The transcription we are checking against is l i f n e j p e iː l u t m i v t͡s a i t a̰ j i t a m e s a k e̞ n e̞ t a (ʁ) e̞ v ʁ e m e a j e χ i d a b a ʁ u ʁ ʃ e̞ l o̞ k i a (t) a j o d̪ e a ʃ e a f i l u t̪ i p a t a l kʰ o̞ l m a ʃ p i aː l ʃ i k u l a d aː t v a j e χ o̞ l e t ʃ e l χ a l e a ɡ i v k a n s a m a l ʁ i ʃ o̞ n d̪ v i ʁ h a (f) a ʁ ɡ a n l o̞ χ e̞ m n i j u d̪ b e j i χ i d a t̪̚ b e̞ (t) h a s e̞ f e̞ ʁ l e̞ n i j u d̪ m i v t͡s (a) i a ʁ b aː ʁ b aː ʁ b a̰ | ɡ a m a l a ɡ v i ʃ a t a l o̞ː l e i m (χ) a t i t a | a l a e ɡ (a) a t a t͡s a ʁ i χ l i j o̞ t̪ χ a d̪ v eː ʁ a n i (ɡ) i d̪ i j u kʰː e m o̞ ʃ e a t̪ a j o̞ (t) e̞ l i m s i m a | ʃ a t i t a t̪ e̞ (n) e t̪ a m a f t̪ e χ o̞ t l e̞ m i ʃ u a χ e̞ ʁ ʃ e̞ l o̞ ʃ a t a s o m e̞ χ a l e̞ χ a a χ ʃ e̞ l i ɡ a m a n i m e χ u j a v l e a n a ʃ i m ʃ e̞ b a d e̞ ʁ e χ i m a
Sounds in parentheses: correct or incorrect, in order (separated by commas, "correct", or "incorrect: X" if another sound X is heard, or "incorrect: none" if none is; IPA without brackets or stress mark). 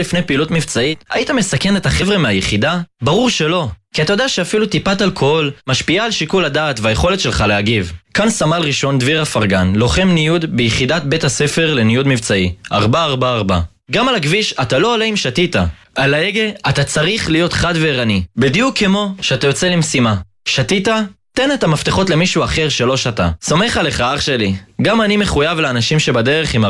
incorrect: χ, correct, correct, correct, correct, incorrect: ʃ, incorrect: e, incorrect: b, incorrect: t͡s, correct